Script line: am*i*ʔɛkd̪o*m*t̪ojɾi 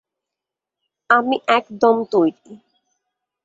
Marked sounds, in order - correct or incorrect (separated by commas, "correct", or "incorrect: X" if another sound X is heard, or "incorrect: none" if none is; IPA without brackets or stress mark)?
correct, correct